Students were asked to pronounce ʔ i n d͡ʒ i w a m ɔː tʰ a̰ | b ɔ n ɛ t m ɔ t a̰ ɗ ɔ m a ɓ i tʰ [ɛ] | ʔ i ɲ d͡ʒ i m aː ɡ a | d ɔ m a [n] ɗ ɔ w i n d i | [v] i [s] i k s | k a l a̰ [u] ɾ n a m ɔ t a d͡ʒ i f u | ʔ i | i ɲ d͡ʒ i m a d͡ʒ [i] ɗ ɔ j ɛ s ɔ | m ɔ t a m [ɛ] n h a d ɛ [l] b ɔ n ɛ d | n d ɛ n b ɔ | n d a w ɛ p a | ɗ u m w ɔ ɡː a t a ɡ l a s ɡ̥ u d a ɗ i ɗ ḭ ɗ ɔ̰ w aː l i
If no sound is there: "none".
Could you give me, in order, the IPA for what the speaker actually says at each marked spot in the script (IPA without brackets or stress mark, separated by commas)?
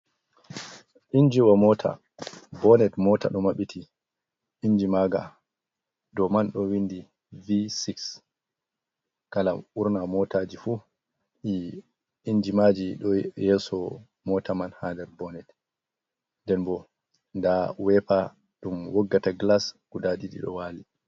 i, n, v, s, u, i, a, ɾ